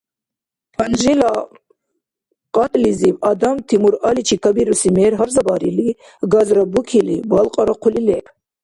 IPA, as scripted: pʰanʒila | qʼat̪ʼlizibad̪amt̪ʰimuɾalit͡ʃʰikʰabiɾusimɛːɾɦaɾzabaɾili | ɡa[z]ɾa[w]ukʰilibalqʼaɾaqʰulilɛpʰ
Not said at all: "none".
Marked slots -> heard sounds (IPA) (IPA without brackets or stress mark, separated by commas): z, b